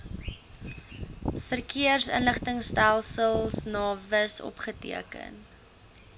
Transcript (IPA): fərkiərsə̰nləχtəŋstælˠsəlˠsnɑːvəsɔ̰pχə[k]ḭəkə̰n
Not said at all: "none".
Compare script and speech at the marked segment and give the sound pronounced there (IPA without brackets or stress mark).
t